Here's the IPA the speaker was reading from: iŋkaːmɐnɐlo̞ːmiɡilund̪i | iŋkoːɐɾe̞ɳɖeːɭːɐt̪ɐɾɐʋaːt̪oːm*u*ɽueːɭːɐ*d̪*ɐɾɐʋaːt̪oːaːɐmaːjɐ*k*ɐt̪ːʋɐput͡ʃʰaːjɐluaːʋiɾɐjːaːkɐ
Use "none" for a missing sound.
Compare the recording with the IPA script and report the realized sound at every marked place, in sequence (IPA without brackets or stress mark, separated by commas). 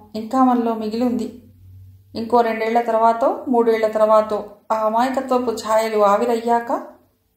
uː, t̪, k